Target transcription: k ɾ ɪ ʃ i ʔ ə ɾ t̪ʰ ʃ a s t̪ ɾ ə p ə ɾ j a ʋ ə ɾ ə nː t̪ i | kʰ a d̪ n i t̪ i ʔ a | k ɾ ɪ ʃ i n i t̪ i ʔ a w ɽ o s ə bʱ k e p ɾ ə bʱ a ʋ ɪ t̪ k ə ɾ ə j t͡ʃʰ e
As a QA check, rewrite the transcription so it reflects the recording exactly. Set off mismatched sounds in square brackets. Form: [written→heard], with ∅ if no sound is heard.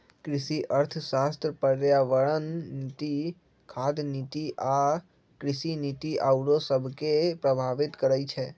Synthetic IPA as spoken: k ɾ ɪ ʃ i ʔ ə ɾ t̪ʰ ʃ a s t̪ ɾ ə p ə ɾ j a ʋ ə [ɾ→ɭ] ə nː t̪ i | kʰ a d̪ n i t̪ i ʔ a | k ɾ ɪ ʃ i n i t̪ i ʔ a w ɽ o s ə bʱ k e p ɾ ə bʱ a ʋ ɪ t̪ k ə ɾ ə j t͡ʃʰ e